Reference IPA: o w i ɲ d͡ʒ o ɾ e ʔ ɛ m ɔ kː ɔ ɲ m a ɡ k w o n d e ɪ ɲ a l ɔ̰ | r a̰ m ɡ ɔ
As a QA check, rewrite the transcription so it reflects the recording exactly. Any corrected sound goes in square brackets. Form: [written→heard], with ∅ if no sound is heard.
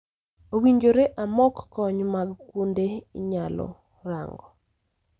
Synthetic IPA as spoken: o w i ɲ d͡ʒ o ɾ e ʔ [ɛ→a] m ɔ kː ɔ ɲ m a ɡ k w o n d e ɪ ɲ a l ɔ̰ | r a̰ [m→ŋ] ɡ ɔ